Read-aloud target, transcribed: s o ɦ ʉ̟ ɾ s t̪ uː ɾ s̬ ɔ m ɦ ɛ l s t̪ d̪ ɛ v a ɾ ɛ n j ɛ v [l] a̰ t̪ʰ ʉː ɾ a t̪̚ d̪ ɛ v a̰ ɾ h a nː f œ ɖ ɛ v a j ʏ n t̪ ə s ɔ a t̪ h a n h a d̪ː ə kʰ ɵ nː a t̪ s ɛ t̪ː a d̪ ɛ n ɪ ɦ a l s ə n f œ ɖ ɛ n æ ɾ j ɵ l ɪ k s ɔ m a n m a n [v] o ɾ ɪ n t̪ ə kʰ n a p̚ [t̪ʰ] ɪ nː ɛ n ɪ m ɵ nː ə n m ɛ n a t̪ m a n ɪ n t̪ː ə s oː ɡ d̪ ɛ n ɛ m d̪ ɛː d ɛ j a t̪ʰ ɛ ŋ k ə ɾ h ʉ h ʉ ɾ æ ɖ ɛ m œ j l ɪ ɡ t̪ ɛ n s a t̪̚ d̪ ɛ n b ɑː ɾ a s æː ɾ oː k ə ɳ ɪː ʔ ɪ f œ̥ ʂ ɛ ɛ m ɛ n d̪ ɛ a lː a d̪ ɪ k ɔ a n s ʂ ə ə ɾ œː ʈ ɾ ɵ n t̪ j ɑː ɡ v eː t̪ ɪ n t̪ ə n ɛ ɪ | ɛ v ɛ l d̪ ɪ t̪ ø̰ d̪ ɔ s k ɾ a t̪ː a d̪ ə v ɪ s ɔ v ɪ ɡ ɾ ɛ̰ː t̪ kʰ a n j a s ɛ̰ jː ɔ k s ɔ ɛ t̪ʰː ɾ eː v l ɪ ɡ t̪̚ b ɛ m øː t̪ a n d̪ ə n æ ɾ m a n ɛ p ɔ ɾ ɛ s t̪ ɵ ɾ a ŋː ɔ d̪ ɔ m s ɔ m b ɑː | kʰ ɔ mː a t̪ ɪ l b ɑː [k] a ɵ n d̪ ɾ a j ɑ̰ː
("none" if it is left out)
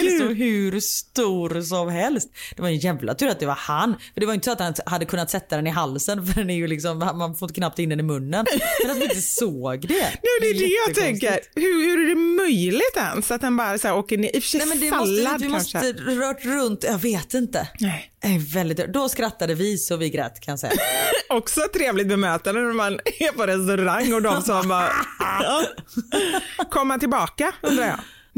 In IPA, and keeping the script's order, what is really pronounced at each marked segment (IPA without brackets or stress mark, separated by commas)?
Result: l, f, t̪, k